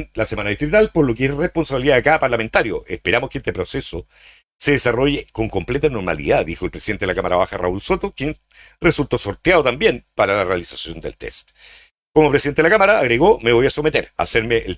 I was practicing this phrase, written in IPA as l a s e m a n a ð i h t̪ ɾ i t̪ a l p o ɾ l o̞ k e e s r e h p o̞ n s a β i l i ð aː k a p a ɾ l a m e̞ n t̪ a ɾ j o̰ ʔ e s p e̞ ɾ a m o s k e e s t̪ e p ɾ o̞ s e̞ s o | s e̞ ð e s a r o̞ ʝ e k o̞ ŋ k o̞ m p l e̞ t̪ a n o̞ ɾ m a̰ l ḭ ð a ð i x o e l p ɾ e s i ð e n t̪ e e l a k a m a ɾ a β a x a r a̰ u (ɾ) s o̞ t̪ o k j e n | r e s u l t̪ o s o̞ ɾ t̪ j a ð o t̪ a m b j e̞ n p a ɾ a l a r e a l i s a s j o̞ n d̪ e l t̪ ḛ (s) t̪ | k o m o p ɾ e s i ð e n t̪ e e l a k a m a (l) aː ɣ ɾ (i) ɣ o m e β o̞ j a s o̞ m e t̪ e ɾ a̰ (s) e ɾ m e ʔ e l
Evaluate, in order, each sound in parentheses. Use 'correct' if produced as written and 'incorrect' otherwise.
incorrect: l, correct, incorrect: ɾ, incorrect: e, correct

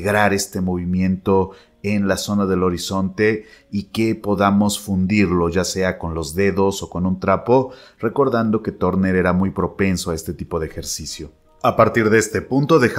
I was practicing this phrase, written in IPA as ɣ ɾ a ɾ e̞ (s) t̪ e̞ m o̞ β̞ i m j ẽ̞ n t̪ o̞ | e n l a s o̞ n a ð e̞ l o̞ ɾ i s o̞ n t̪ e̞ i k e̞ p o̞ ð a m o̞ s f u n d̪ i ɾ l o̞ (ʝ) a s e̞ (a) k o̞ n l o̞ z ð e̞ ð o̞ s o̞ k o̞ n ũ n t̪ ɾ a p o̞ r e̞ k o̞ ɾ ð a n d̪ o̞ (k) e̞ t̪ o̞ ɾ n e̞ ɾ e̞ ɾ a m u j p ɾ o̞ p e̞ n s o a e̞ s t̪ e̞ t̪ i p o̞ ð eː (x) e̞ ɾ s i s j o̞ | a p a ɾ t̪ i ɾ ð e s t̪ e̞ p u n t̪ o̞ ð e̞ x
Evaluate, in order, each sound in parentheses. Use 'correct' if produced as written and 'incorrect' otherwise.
correct, correct, correct, correct, correct

